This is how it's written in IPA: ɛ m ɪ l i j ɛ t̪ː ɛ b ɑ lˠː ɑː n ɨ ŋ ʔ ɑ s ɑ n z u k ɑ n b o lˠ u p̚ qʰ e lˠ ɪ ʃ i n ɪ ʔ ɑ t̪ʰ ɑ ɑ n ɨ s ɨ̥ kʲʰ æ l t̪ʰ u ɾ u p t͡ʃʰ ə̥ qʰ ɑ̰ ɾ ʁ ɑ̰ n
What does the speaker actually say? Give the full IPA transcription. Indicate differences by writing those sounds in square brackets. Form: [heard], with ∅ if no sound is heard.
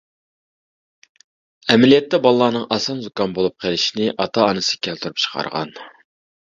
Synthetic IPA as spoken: ɛ m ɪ l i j ɛ t̪ː ɛ b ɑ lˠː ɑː n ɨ ŋ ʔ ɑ s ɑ n z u k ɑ n b o lˠ u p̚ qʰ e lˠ ɪ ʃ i n ɪ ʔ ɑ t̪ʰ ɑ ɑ n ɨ s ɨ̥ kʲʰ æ l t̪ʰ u ɾ u p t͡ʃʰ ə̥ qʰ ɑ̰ ɾ ʁ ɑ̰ n